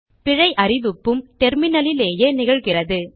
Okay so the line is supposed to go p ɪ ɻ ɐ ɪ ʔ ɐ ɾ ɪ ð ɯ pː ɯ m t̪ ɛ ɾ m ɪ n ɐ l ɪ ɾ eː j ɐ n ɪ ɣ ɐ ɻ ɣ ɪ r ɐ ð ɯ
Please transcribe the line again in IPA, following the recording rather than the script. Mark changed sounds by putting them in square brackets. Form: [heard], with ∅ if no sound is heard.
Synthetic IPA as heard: p ɪ ɻ ɐ ɪ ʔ ɐ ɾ ɪ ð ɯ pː ɯ m t̪ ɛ ɾ m ɪ n ɐ l ɪ [l] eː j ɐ n ɪ ɣ ɐ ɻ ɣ ɪ r ɐ ð ɯ